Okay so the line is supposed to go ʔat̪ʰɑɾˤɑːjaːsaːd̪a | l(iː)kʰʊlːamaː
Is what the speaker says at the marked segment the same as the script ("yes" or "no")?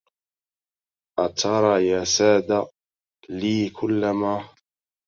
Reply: yes